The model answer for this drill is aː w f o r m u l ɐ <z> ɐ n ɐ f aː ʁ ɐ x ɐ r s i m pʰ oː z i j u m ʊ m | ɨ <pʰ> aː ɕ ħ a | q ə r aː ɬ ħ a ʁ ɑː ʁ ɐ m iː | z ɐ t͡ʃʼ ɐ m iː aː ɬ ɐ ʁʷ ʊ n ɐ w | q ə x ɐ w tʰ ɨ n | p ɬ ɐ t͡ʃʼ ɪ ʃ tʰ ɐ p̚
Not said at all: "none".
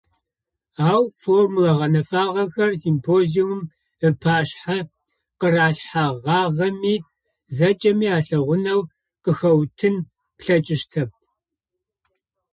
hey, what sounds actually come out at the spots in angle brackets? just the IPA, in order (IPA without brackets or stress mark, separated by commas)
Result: ʁ, pʰ